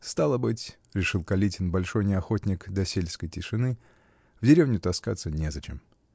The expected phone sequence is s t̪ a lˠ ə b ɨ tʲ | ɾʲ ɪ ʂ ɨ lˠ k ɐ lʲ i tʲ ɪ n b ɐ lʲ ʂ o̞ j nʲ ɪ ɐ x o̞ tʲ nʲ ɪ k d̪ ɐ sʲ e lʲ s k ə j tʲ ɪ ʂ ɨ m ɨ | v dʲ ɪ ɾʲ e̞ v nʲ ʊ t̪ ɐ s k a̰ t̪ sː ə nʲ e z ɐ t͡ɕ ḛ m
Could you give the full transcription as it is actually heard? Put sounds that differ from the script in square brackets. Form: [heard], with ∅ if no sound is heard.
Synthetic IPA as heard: s t̪ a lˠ ə b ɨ tʲ | ɾʲ ɪ ʂ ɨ lˠ k ɐ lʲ i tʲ ɪ n b ɐ lʲ ʂ o̞ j nʲ ɪ ɐ x o̞ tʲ nʲ ɪ k d̪ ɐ sʲ e lʲ s k ə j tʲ ɪ ʂ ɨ [n] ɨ | v dʲ ɪ ɾʲ e̞ v nʲ ʊ t̪ ɐ s k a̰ t̪ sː ə nʲ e z ɐ t͡ɕ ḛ m